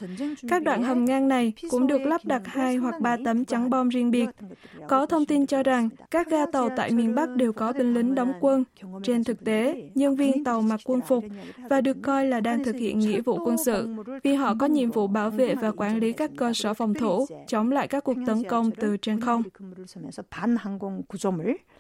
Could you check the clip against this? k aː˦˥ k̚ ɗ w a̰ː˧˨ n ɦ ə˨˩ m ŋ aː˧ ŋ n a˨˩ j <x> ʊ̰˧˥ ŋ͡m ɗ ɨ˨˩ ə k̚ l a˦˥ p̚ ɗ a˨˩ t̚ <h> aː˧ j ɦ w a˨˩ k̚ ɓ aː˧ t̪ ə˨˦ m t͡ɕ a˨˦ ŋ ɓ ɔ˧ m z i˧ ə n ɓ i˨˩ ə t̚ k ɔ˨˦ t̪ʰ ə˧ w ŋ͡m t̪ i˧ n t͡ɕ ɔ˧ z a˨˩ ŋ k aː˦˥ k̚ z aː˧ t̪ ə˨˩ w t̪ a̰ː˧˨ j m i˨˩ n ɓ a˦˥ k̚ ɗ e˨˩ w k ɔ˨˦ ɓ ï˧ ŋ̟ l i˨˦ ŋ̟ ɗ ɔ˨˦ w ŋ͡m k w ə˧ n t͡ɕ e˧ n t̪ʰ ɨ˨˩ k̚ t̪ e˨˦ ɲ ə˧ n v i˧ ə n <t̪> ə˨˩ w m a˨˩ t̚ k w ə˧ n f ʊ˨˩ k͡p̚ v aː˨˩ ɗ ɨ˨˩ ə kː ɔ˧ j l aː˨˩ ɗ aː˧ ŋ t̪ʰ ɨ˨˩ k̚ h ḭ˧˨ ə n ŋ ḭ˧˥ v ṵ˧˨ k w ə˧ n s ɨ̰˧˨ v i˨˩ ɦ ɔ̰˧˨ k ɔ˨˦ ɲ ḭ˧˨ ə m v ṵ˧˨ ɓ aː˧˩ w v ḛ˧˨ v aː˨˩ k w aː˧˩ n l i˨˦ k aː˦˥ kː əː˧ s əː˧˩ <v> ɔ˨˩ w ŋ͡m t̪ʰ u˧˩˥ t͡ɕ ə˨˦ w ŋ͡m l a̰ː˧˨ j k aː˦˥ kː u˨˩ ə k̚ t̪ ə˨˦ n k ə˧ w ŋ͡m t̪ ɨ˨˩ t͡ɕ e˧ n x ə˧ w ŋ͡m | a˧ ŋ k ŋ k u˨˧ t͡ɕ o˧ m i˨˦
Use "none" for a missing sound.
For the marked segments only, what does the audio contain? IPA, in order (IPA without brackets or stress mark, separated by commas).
k, h, t̪, f